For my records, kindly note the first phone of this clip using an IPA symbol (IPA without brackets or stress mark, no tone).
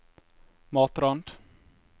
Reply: m